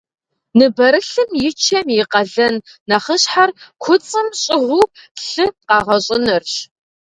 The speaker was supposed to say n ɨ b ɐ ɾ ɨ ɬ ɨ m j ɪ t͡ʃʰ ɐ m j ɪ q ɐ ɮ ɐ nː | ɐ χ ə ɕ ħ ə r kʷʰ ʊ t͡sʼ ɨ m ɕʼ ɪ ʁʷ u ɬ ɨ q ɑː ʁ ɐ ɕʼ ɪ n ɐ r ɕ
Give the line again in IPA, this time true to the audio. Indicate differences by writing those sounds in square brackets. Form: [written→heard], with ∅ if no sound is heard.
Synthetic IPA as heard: n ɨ b ɐ ɾ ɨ ɬ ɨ m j ɪ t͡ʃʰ ɐ m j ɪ q ɐ ɮ ɐ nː | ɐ χ ə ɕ ħ [ə→a] r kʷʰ ʊ t͡sʼ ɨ m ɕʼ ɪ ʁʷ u ɬ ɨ q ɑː ʁ ɐ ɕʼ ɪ n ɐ r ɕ